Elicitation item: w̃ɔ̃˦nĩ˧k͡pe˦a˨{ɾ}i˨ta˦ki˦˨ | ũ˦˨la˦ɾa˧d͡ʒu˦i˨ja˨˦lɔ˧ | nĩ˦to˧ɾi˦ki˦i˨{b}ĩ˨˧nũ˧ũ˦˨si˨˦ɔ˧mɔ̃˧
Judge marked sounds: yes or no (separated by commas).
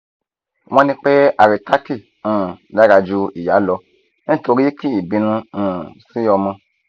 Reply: yes, yes